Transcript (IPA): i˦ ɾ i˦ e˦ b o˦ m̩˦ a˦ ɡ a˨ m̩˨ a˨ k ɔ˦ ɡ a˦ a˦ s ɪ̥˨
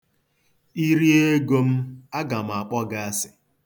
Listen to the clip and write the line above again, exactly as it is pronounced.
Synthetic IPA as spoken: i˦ ɾ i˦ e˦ ɡ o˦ m̩˦ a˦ ɡ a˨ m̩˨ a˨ k͡p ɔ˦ ɡ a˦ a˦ s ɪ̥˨